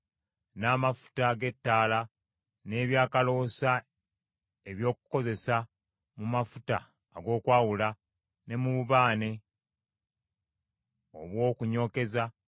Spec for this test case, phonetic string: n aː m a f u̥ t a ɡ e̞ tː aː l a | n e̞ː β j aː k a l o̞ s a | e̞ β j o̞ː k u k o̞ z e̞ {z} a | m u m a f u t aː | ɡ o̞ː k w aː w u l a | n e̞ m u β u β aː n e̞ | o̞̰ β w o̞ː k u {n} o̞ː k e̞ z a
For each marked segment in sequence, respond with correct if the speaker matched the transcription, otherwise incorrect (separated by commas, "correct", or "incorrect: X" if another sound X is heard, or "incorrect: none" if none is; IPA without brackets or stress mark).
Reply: incorrect: s, incorrect: ɲ